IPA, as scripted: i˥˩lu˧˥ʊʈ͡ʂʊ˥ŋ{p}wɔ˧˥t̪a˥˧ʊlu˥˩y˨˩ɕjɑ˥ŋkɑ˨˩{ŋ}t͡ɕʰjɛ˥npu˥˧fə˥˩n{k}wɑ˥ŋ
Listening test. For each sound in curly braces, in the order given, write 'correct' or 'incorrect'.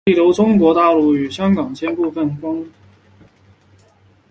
incorrect: k, correct, correct

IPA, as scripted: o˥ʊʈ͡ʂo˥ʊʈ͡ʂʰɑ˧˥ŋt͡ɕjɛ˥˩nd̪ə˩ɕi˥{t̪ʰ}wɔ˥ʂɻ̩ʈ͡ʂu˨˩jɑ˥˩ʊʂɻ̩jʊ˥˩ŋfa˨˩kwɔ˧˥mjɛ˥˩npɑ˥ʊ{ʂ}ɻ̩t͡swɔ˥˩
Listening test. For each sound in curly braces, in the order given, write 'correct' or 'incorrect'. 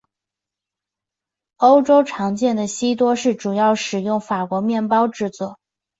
incorrect: t̪, incorrect: ʈ͡ʂ

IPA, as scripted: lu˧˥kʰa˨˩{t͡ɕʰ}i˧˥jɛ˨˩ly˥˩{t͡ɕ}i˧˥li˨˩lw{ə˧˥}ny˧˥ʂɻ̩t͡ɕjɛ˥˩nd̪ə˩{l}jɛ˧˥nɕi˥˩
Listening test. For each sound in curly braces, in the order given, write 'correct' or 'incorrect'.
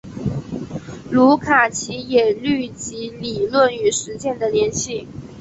correct, correct, incorrect: ə˥˩, correct

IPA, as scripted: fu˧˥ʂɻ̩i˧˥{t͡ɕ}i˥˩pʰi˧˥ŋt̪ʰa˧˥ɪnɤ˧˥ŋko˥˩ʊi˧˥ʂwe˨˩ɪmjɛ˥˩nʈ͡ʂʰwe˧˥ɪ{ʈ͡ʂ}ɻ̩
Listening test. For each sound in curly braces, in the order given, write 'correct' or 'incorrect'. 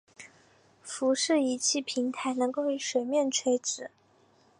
incorrect: t͡ɕʰ, correct

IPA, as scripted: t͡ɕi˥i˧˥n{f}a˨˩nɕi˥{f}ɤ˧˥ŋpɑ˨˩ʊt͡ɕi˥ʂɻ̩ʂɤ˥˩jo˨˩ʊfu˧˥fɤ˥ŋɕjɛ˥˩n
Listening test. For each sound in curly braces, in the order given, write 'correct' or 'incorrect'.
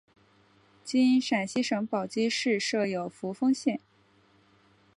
incorrect: ʂ, incorrect: ʂ

